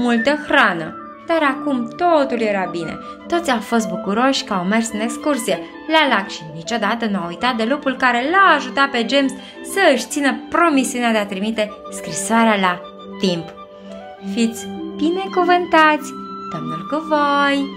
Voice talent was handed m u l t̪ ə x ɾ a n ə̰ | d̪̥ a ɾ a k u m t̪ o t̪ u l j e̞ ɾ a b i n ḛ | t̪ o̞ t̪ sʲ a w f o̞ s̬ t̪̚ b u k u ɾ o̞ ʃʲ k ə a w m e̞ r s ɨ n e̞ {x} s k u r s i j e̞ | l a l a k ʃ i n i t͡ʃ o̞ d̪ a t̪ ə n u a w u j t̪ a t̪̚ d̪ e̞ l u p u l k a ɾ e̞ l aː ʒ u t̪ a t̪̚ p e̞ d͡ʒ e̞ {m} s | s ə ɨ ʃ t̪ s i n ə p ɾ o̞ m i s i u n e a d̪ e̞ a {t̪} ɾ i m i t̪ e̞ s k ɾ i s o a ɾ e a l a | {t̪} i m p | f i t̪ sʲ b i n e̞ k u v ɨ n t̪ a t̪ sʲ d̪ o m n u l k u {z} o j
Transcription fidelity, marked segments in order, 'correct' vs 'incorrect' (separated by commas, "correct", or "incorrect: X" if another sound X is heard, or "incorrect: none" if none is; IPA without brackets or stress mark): incorrect: k, correct, correct, correct, incorrect: v